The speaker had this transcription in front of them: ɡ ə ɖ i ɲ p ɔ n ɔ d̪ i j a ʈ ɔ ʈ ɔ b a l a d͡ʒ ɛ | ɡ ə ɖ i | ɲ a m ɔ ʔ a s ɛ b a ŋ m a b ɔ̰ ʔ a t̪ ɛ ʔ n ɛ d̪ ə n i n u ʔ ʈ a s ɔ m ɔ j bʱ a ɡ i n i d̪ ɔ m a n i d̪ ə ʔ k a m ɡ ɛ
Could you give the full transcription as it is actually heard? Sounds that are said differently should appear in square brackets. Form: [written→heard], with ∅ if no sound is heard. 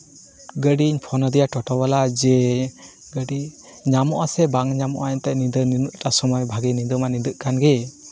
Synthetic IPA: ɡ ə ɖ i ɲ [p→pʰ] ɔ n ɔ d̪ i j a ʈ ɔ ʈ ɔ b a l a d͡ʒ ɛ | ɡ ə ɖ i | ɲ a m ɔ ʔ a s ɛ b a ŋ [m→ɲ] a [b→m] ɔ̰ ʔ a t̪ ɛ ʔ n [ɛ→i] d̪ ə n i n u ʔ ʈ a s ɔ m ɔ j bʱ a ɡ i n i d̪ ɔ m a n i d̪ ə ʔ k a [m→n] ɡ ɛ